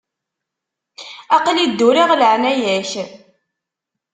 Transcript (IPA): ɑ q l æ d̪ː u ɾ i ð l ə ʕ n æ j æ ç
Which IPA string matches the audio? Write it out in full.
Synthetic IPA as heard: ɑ q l i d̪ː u ɾ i ʁ l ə ʕ n æ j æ ç